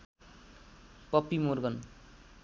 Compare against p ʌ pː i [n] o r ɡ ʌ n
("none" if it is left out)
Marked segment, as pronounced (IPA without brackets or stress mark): m